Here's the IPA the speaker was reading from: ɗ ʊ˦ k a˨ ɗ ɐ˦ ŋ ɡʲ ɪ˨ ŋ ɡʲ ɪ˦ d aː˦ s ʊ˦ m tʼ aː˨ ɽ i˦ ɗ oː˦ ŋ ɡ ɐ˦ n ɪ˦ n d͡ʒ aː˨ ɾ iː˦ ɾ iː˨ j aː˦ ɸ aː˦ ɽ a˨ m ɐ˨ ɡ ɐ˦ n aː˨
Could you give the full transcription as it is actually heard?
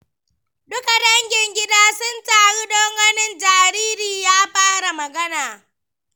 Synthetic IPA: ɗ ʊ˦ k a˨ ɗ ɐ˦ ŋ ɡʲ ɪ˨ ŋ ɡʲ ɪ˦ d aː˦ s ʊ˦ n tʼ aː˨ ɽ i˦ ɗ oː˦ ŋ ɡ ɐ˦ n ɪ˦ n d͡ʒ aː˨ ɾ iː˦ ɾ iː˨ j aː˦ ɸ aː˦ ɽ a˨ m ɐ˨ ɡ ɐ˦ n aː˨